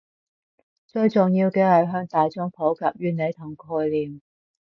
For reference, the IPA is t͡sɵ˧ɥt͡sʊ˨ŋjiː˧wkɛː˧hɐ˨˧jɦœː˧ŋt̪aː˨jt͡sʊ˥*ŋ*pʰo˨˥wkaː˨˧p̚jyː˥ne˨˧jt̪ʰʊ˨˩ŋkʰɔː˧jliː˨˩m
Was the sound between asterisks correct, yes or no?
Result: yes